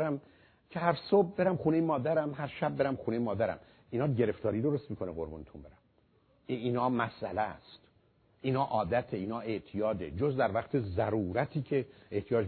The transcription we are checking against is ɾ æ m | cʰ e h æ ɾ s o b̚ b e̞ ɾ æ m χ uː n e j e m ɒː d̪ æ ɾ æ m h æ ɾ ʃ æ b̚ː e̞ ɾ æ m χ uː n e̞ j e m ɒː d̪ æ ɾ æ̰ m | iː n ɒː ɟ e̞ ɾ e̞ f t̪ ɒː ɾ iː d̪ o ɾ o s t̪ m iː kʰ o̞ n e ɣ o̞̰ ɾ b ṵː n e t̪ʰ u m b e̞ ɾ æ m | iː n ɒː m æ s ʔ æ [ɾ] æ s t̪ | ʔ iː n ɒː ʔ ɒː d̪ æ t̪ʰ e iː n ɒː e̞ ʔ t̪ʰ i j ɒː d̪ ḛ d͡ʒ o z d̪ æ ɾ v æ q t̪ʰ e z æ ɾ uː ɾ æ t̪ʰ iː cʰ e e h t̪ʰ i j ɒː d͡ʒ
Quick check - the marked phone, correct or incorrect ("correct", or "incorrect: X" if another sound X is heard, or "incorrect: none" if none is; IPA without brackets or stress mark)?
incorrect: l